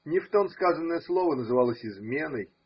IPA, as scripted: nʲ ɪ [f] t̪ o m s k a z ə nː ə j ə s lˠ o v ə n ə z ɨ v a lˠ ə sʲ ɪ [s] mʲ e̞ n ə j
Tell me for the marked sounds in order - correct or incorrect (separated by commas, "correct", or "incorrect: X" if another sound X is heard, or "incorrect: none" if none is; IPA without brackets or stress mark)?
correct, incorrect: z